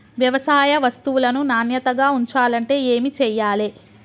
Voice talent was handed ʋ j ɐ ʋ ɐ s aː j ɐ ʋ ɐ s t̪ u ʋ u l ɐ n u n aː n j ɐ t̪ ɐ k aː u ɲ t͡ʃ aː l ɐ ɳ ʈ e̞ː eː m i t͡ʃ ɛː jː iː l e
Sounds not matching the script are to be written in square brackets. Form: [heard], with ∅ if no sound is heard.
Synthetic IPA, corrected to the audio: ʋ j ɐ ʋ ɐ s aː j ɐ ʋ ɐ s t̪ u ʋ u l ɐ n u n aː n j ɐ t̪ ɐ [ɡ] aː u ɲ t͡ʃ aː l ɐ ɳ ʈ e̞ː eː m i t͡ʃ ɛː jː [aː] l e

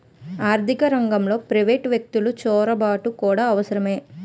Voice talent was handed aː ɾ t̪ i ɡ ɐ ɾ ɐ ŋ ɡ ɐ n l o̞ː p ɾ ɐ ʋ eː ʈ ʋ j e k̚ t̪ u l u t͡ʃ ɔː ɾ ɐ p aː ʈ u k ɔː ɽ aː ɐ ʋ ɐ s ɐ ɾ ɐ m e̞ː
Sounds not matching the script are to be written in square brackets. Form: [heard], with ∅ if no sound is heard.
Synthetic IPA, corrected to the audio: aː ɾ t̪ i [k] ɐ ɾ ɐ ŋ ɡ ɐ [m] l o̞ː p ɾ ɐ ʋ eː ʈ ʋ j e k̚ t̪ u l u t͡ʃ ɔː ɾ ɐ [b] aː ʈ u k [uː] ɽ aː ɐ ʋ ɐ s ɐ ɾ ɐ m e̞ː

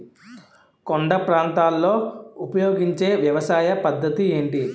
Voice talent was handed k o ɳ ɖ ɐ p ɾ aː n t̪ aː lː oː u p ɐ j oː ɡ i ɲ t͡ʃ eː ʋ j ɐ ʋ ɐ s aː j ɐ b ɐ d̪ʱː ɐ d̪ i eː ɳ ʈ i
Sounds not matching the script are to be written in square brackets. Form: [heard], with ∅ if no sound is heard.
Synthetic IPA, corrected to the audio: k o ɳ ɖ ɐ p ɾ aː n t̪ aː lː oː u p ɐ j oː ɡ i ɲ t͡ʃ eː ʋ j ɐ ʋ ɐ s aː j ɐ [p] ɐ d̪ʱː ɐ [t̪] i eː ɳ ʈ i

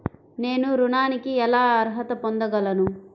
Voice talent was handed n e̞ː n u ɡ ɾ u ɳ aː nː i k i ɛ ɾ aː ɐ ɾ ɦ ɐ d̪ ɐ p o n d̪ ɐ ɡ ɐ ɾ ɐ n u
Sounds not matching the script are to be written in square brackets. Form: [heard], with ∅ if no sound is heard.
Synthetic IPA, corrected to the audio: n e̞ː n u [∅] ɾ u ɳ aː [n] i k i ɛ [l] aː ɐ ɾ ɦ ɐ [t̪] ɐ p o n d̪ ɐ ɡ ɐ [l] ɐ n u

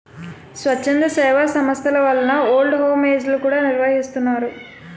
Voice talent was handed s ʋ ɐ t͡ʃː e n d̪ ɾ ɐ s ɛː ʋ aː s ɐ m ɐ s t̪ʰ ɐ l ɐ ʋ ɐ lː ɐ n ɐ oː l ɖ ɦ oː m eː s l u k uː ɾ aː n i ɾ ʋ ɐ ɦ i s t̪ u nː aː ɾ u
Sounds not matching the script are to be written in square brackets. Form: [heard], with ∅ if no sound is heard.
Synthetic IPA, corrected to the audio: s ʋ ɐ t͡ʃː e n d̪ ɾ ɐ s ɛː ʋ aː s ɐ m ɐ s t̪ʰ ɐ l ɐ ʋ ɐ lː ɐ n ɐ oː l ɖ ɦ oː m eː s l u k uː [ɽ] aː n i ɾ ʋ ɐ ɦ i s t̪ u nː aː ɾ u

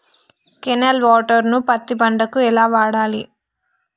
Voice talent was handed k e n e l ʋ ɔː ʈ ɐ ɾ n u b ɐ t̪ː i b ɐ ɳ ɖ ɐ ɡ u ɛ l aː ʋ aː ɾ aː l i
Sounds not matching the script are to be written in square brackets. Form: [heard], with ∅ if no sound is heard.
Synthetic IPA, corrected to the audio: k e n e l ʋ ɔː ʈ ɐ ɾ n u [p] ɐ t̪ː i b ɐ ɳ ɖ ɐ [k] u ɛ l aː ʋ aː [ɽ] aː l i

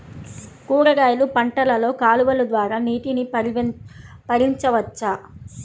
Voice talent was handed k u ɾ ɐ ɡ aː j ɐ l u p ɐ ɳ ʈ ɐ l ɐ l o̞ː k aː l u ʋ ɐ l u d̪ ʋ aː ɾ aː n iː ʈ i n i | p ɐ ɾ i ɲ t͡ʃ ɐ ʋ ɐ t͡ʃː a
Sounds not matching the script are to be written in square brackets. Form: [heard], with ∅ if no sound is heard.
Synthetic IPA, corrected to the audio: k [uː] ɾ ɐ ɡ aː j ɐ l u p ɐ ɳ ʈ ɐ l ɐ l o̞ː k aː l u ʋ ɐ l u d̪ ʋ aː ɾ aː n iː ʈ i n i | p ɐ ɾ i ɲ t͡ʃ ɐ ʋ ɐ t͡ʃː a

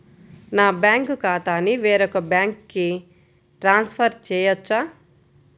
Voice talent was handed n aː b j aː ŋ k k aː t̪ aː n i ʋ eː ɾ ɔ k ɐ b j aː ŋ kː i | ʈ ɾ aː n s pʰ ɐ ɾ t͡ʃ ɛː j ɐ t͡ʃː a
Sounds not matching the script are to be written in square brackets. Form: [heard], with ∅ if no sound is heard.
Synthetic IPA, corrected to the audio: n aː b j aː ŋ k k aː t̪ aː n i ʋ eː ɾ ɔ k ɐ b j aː ŋ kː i | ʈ ɾ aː n s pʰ ɐ ɾ t͡ʃ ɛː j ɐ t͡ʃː a

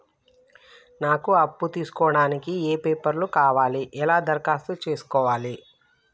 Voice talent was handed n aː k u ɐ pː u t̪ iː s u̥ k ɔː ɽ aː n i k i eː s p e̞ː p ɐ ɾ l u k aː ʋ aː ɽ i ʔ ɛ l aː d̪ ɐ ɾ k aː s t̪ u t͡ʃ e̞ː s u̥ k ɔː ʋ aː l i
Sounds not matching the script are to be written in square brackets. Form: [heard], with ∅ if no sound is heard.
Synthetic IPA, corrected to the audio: n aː k u ɐ pː u t̪ iː s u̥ k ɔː ɽ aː n i k i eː [∅] p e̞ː p ɐ ɾ l u k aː ʋ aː [l] i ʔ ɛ l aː d̪ ɐ ɾ k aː s t̪ u t͡ʃ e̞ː s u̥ k ɔː ʋ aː l i

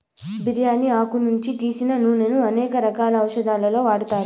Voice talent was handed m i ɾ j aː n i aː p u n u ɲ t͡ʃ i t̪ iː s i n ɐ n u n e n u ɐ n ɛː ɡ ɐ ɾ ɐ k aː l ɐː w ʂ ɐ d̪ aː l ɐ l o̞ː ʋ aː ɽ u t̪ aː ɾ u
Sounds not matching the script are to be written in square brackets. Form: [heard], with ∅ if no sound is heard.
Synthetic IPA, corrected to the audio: [b] i ɾ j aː n i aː [k] u n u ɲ t͡ʃ i t̪ iː s i n ɐ n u n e n u ɐ n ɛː [k] ɐ ɾ ɐ k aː l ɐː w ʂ ɐ d̪ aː l ɐ l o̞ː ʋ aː ɽ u t̪ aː ɾ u

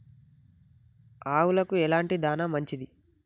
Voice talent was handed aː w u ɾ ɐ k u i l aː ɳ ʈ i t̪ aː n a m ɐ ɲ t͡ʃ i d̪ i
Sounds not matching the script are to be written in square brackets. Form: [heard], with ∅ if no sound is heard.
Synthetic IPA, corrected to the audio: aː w u [l] ɐ k u [ɛ] l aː ɳ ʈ i [d̪] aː n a m ɐ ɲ t͡ʃ i d̪ i

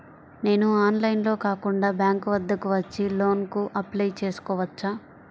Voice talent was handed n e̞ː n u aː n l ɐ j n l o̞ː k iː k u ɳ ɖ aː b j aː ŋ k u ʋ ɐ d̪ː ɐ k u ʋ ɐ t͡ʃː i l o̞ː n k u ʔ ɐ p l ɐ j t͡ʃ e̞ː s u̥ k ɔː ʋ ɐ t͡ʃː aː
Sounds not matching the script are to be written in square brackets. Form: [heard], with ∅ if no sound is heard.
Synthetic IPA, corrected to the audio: n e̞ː n u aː n l ɐ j n l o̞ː k [aː] k u ɳ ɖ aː b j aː ŋ k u ʋ ɐ d̪ː ɐ k u ʋ ɐ t͡ʃː i l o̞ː n k u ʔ ɐ p l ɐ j t͡ʃ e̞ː s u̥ k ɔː ʋ ɐ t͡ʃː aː

